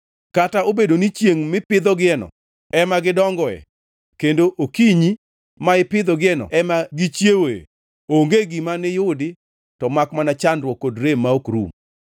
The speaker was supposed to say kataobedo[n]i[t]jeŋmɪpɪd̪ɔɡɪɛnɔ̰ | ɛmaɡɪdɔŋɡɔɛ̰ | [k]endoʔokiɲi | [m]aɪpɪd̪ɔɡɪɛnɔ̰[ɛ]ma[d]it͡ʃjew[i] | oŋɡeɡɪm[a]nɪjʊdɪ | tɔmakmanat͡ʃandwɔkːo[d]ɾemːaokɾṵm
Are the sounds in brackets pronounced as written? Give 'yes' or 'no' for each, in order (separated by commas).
yes, no, yes, yes, yes, no, no, yes, yes